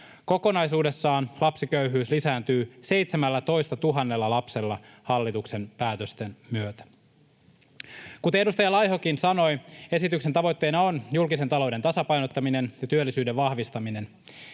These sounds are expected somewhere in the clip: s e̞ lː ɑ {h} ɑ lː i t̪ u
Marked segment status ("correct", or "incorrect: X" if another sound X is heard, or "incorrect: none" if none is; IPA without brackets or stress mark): correct